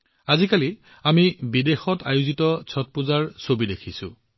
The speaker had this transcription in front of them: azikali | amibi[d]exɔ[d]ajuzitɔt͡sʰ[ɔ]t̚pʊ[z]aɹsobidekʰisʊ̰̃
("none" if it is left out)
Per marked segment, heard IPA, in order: d, t, ɔ, z

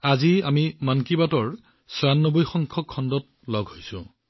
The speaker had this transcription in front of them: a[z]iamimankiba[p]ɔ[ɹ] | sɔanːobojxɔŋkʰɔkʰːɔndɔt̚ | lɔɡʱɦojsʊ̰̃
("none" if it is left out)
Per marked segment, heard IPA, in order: z, t, ɹ

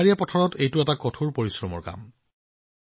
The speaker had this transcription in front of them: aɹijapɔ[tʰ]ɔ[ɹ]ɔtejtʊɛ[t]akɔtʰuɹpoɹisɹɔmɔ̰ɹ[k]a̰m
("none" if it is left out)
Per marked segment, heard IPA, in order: tʰ, ɹ, t, k

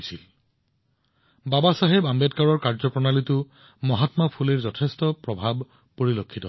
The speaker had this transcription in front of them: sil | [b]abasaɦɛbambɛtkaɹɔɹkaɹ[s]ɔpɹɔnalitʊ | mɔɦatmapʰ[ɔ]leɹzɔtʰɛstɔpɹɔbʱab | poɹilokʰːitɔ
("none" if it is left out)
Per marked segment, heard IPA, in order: b, z, u

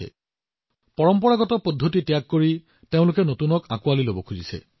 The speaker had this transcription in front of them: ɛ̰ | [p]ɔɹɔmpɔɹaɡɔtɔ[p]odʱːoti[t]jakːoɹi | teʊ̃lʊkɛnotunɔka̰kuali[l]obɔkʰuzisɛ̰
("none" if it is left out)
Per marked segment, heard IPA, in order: p, p, t, l

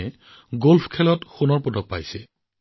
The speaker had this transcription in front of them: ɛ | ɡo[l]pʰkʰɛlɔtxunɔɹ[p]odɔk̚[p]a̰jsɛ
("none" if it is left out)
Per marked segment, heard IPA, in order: l, p, p

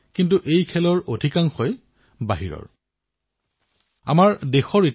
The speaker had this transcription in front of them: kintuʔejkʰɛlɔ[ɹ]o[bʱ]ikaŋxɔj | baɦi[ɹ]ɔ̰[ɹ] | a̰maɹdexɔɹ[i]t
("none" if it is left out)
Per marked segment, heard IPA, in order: ɹ, dʱ, ɹ, ɹ, i

